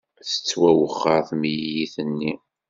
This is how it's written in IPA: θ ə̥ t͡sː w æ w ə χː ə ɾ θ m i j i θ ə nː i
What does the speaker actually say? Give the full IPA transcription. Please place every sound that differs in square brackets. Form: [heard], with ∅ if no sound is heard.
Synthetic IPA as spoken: θ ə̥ t͡sː w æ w ə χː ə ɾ θ m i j i θ ə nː i